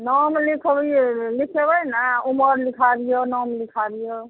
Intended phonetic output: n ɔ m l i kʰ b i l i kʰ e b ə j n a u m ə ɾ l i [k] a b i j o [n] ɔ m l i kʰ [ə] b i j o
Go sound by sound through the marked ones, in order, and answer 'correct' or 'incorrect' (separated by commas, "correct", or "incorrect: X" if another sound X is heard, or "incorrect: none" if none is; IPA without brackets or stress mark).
incorrect: kʰ, correct, incorrect: a